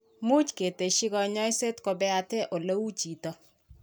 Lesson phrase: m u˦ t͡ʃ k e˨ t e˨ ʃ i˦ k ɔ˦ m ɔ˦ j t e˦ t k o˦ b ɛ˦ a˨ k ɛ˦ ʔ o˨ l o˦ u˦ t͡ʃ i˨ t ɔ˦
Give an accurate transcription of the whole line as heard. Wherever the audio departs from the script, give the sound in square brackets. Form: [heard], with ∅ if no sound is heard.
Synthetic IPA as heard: m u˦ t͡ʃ k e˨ t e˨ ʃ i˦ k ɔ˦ [ɲ] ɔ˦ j [s] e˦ t k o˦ b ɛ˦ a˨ [t] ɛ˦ ʔ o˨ l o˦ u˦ t͡ʃ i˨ t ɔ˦